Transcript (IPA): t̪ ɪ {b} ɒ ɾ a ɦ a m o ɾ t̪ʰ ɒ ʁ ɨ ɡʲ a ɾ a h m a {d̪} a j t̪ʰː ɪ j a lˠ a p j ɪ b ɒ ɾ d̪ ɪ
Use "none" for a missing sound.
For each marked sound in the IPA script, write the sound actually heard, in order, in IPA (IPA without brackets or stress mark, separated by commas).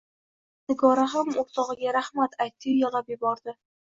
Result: ɡ, t̪